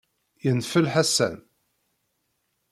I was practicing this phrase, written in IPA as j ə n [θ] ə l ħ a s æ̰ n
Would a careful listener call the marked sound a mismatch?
yes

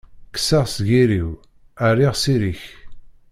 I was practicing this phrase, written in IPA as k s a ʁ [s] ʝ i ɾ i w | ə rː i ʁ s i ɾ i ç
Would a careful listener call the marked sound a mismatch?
no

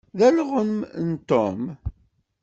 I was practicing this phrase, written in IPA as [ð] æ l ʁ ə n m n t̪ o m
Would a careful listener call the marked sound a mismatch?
no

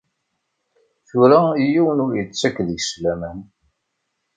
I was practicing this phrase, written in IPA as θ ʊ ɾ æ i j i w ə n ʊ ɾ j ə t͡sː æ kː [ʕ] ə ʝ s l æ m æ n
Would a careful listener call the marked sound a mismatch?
yes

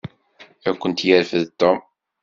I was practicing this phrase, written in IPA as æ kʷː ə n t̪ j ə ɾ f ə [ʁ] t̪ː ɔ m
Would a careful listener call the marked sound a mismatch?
yes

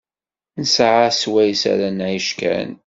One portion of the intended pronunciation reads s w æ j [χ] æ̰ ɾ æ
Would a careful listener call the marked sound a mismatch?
yes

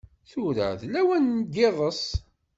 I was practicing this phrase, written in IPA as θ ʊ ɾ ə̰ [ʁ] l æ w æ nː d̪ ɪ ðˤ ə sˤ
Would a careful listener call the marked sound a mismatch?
yes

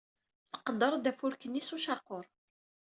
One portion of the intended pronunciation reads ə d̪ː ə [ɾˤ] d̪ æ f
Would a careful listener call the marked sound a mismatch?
no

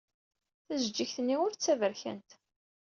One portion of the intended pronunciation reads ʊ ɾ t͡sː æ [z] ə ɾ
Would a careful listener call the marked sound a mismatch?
yes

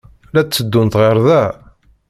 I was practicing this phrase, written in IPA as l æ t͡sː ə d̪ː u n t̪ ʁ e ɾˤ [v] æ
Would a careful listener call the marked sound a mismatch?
yes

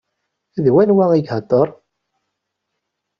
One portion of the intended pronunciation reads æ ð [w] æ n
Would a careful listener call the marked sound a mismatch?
no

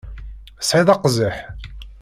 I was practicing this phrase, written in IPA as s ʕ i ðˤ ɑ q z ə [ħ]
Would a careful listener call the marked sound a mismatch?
no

